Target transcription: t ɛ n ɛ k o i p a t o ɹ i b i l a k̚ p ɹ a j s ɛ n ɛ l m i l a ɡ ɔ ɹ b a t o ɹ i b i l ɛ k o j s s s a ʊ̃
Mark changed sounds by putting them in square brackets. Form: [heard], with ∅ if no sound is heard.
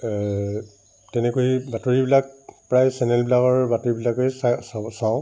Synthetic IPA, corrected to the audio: t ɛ n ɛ k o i [b] a t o ɹ i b i l a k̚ p ɹ a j s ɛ n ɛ l [b] i l a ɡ ɔ ɹ b a t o ɹ i b i l [a] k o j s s s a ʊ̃